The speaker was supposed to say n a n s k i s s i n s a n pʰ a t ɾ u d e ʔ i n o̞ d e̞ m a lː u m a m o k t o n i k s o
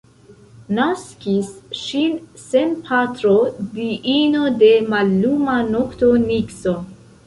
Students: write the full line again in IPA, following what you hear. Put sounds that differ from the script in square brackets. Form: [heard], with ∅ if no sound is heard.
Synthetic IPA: n a [∅] s k i s [ʃ] i n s [e] n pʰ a t ɾ [o] d [i] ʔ i n o̞ d e̞ m a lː u m a [n] o k t o n i k s o